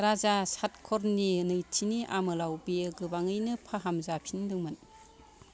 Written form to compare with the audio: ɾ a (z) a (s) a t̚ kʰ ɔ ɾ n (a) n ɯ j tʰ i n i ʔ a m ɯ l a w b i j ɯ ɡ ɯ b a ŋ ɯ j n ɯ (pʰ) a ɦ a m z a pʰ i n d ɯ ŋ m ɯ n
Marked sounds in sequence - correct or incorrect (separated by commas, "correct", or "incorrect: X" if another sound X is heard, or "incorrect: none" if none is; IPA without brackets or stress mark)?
correct, correct, incorrect: i, correct